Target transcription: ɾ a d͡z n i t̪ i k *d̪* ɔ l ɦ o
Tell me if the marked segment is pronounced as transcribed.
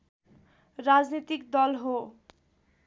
yes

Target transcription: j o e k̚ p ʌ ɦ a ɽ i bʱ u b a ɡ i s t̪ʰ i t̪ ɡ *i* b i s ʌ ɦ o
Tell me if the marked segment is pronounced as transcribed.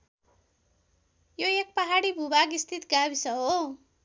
no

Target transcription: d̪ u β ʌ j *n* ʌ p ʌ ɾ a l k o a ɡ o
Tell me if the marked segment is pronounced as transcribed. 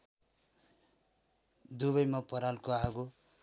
no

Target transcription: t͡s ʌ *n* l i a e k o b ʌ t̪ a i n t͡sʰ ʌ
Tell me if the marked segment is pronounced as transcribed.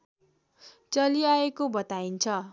no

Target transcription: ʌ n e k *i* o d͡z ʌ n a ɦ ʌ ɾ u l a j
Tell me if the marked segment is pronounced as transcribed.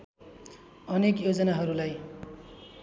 no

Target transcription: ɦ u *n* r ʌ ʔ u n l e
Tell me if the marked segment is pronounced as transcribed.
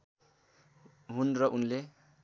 yes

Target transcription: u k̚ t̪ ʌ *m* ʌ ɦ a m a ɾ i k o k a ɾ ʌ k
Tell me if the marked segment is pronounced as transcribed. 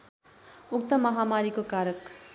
yes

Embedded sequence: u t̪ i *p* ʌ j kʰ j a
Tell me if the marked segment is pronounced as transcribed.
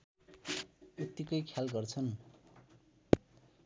no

